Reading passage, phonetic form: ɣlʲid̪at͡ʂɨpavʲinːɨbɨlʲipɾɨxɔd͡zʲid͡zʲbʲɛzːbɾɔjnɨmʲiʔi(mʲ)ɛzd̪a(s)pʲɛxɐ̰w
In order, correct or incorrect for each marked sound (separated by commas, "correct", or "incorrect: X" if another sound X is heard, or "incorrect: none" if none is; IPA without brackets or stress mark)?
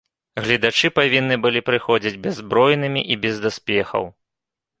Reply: incorrect: bʲ, correct